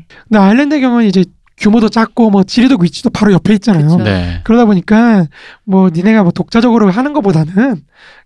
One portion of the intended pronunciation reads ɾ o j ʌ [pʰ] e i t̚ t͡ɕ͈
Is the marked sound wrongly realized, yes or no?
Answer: no